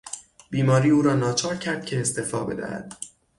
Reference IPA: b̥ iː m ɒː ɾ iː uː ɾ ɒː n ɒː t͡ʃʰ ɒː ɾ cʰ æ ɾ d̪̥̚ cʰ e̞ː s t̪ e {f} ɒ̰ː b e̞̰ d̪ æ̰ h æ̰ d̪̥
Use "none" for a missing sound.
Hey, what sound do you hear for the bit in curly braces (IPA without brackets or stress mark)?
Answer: f